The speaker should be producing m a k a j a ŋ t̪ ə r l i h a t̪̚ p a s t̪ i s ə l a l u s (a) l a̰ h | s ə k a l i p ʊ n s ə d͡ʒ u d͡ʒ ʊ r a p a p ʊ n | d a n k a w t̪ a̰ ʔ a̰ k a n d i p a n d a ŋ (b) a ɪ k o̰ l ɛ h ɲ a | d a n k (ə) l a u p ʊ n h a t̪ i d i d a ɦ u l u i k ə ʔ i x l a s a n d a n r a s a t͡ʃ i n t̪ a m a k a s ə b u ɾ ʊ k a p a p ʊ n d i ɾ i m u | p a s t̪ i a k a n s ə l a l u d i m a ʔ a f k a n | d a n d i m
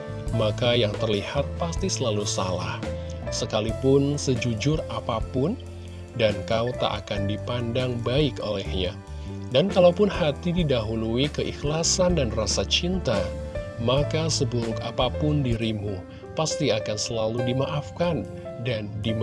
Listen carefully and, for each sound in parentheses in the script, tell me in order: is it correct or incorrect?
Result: correct, correct, incorrect

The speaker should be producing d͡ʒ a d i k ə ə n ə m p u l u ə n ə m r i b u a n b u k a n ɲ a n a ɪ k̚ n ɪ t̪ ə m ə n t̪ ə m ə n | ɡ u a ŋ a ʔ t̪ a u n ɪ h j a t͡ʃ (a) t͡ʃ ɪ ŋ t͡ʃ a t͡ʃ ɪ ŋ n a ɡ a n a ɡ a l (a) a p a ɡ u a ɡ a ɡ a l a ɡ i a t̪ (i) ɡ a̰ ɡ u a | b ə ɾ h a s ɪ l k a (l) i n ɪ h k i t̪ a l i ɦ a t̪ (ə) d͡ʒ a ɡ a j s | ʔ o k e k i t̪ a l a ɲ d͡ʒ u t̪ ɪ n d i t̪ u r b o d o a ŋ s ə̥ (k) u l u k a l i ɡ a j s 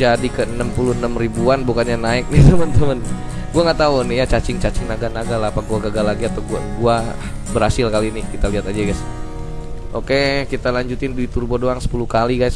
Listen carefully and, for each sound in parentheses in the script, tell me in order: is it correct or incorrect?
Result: correct, correct, incorrect, correct, incorrect, incorrect

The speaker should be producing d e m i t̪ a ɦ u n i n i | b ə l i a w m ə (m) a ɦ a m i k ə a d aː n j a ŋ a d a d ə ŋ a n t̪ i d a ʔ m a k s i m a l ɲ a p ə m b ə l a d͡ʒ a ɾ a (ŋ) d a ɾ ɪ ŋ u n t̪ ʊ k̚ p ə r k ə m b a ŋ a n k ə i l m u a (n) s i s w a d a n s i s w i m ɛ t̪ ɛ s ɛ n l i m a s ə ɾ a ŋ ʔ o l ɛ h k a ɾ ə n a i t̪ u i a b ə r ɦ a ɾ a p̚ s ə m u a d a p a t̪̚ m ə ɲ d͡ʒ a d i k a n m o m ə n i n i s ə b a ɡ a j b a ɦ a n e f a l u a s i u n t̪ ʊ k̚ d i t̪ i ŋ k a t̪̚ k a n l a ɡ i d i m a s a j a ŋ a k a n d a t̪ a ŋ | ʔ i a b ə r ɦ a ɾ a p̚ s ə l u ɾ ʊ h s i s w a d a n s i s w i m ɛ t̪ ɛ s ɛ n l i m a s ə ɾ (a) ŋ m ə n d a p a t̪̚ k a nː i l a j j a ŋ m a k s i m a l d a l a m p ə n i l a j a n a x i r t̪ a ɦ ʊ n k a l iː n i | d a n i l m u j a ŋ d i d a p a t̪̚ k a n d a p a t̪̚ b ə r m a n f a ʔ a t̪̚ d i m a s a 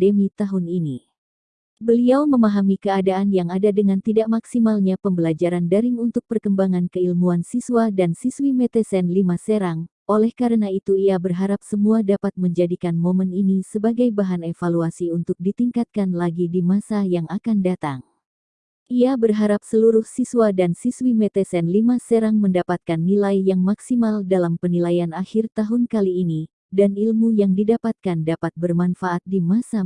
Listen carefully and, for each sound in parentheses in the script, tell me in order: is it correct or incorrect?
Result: correct, incorrect, correct, correct

